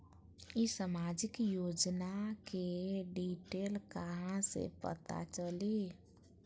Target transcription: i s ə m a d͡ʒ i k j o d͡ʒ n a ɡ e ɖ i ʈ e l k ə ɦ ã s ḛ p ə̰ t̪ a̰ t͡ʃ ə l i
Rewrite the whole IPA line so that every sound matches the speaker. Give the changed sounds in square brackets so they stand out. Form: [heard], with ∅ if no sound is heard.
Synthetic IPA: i s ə m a d͡ʒ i k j o d͡ʒ n a [k] e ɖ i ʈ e l k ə ɦ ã s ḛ p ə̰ t̪ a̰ t͡ʃ ə l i